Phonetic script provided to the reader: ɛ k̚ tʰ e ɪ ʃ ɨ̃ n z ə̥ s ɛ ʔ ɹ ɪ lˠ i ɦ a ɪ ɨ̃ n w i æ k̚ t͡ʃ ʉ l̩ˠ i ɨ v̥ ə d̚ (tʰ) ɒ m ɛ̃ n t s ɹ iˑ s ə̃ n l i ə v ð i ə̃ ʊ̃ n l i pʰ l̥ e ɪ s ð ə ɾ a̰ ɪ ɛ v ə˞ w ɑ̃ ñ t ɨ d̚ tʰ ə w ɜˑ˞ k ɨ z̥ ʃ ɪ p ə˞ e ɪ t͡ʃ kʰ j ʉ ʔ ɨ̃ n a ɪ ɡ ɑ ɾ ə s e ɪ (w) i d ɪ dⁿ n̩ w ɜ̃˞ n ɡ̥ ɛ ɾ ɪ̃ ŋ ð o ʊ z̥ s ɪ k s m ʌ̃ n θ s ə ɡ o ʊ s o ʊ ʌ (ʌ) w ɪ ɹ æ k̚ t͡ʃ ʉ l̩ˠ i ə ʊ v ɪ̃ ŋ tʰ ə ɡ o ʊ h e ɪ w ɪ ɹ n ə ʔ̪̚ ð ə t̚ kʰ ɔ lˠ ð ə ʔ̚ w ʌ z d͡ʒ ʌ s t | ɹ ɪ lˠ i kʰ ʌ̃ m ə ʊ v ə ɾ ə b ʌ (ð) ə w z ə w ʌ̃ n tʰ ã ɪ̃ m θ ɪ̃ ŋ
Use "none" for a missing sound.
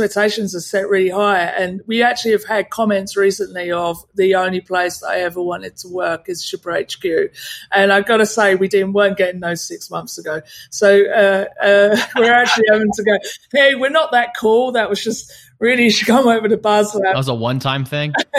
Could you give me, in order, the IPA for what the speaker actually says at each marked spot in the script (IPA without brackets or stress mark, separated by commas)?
kʰ, w, ʌ, z